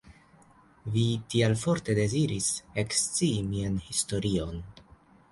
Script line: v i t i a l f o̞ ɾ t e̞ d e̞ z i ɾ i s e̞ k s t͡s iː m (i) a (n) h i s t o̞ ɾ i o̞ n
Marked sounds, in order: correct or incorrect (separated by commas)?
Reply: correct, correct